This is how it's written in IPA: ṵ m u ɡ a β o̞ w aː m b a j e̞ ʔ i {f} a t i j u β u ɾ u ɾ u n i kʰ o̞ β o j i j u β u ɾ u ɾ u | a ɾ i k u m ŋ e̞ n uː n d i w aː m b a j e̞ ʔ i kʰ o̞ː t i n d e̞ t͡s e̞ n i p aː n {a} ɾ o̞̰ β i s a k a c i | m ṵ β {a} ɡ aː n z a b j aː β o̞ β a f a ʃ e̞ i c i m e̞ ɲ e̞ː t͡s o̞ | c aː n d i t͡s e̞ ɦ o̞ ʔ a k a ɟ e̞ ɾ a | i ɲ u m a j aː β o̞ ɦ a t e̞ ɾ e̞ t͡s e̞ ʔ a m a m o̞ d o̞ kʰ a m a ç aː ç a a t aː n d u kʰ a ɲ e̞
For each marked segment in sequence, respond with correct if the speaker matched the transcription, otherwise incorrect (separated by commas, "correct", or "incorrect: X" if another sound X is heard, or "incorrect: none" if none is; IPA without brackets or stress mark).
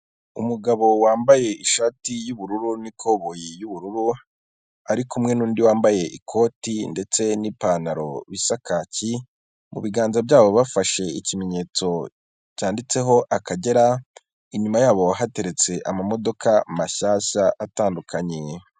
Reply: incorrect: ʃ, correct, incorrect: i